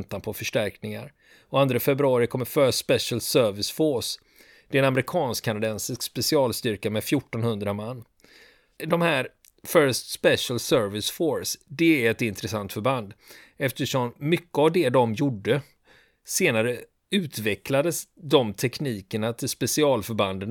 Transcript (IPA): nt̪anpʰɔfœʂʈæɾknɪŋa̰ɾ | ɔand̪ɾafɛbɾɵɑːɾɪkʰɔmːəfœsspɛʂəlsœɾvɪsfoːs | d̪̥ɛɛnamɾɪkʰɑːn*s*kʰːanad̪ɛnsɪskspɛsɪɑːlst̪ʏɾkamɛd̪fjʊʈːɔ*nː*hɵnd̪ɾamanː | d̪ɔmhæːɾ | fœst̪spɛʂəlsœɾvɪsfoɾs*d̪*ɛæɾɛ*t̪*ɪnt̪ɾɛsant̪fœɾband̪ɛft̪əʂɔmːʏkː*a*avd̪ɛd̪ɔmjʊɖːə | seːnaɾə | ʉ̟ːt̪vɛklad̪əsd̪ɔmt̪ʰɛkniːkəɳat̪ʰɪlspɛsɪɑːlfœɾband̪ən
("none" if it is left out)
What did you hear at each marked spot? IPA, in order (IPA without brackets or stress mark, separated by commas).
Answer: s, n, d̪, t̪, ə